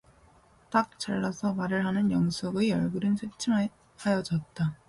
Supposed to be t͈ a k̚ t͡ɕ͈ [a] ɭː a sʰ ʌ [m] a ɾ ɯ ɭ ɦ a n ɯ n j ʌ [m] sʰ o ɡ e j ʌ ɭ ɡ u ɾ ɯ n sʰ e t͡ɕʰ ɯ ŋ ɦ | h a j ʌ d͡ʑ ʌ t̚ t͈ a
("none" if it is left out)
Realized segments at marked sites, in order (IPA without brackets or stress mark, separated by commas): a, m, ŋ